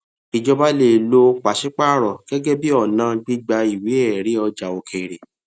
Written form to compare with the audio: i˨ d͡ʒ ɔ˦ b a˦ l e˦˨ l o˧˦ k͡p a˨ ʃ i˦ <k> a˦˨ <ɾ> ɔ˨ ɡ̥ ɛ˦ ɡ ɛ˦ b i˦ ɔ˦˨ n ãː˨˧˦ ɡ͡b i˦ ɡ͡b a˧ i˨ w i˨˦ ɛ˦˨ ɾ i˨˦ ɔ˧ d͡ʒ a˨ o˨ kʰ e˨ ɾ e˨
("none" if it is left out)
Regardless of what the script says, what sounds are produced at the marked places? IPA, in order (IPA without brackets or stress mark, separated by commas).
k͡p, ɾ